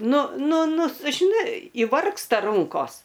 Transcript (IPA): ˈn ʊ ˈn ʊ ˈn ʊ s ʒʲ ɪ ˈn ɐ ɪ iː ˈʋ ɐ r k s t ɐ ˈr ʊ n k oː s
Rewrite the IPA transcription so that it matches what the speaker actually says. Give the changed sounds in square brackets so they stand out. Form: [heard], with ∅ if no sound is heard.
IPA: ˈn ʊ ˈn ʊ ˈn ʊ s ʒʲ ɪ ˈn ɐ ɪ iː ˈʋ ɐ r k s t ɐ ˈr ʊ [ŋ] k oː s